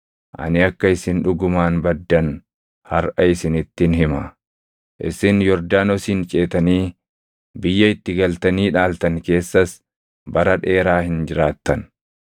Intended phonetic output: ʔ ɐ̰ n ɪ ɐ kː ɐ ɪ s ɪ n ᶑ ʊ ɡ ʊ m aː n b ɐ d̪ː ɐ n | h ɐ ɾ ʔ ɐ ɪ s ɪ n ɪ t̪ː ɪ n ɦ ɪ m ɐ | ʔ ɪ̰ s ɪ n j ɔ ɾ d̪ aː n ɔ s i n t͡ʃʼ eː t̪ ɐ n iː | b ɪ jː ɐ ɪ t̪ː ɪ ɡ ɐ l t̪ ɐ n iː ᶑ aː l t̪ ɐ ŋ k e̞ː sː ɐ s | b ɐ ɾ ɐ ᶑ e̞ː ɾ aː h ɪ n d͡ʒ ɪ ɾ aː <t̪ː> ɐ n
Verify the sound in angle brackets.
correct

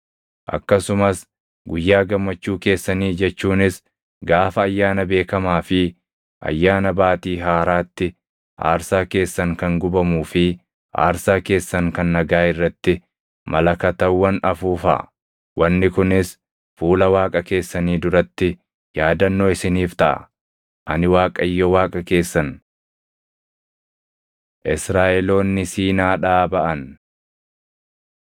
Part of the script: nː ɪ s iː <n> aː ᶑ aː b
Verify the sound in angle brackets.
correct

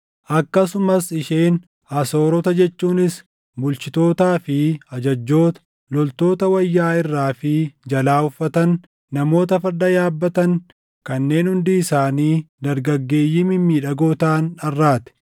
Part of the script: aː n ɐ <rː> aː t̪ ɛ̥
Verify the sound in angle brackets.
correct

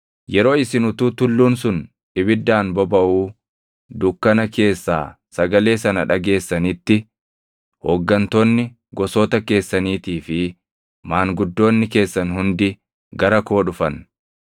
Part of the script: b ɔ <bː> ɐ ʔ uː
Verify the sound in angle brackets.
incorrect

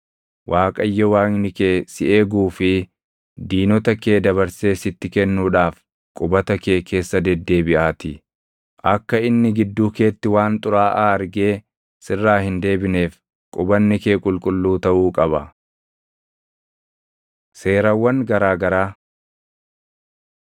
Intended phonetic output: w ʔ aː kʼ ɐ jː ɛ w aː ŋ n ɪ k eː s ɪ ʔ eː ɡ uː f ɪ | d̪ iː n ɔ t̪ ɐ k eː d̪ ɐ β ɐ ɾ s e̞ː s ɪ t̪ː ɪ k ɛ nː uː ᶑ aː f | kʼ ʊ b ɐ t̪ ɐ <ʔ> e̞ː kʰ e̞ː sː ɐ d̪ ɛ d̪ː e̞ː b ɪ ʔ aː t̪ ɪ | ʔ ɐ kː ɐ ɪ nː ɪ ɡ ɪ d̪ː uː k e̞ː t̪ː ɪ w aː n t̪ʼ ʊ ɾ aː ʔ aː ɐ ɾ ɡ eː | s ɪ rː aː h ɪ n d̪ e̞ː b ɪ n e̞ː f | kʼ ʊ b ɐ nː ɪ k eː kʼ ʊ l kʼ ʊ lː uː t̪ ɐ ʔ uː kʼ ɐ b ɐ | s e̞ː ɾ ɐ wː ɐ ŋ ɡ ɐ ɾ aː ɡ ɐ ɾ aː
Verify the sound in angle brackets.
incorrect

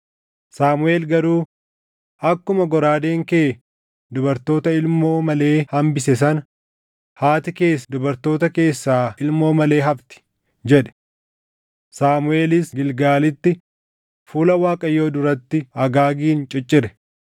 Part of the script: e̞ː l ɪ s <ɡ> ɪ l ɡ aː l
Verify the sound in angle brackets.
correct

